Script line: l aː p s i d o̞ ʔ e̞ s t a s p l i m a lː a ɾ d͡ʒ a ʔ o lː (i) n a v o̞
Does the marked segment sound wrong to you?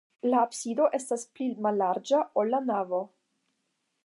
yes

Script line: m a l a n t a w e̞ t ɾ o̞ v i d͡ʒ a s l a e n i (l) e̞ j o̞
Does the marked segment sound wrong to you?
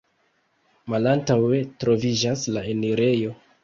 yes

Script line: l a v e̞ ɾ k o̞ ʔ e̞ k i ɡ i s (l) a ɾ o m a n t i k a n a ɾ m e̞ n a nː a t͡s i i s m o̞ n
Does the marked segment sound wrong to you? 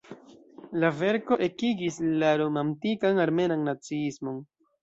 no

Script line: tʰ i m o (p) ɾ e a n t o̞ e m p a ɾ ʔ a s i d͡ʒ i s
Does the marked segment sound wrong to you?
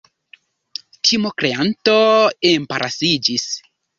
yes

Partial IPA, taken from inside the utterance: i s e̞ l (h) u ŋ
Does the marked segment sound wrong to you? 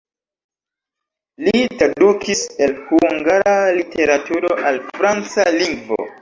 no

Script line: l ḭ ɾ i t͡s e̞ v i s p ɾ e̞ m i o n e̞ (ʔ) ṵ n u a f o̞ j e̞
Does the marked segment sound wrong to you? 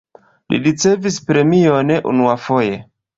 no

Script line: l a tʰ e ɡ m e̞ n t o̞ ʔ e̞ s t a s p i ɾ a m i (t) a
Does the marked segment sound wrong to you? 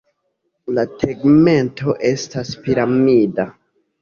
yes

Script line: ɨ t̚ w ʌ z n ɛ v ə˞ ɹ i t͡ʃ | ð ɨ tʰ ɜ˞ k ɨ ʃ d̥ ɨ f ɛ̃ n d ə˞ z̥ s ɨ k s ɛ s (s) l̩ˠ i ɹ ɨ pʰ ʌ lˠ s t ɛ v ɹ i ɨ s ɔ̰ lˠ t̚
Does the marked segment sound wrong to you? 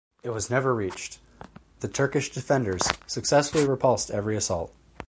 yes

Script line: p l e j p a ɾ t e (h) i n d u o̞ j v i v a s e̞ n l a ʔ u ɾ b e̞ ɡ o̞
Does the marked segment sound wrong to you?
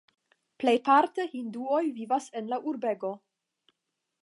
no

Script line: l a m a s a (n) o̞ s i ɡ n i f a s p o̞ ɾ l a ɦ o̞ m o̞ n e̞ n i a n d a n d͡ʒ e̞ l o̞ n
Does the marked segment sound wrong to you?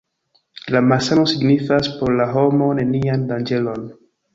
no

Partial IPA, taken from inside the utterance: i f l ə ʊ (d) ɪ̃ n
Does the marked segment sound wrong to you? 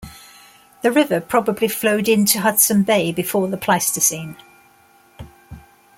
no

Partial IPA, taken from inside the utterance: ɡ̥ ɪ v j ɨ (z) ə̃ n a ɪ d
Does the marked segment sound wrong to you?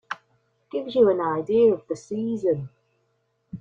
yes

